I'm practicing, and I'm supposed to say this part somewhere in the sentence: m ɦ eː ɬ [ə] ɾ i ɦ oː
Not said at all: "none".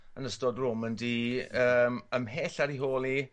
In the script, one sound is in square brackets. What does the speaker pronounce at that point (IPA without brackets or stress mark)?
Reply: a